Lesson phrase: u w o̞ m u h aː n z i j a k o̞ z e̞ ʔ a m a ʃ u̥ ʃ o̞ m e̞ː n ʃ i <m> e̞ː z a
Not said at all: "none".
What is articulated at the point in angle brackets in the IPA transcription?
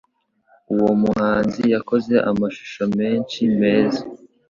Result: m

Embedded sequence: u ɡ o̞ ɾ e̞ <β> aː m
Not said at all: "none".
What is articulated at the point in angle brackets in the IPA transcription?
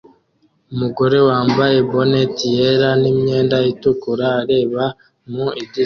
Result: w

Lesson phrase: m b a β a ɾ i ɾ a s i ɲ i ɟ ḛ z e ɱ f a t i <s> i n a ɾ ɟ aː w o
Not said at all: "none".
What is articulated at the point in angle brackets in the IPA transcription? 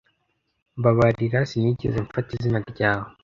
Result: z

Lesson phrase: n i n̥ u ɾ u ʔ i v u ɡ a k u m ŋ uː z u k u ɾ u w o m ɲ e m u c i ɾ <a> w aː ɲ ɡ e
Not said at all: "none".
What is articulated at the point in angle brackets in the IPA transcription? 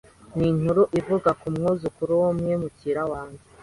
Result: a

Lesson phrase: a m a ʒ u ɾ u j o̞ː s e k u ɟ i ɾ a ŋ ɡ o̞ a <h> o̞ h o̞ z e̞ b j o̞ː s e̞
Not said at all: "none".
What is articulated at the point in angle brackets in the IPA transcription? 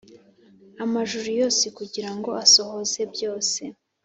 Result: s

